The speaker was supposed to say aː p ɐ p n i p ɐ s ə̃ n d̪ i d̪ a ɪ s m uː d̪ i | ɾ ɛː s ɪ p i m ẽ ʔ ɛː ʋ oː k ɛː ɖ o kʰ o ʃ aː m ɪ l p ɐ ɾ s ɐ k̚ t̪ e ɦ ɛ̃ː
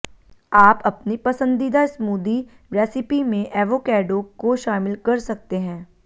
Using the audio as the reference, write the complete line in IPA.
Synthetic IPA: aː p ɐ p n i p ɐ s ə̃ n d̪ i d̪ a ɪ s m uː d̪ i | ɾ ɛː s ɪ p i m ẽ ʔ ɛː ʋ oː k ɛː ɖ o k o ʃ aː m ɪ l k ɐ ɾ s ɐ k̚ t̪ e ɦ ɛ̃ː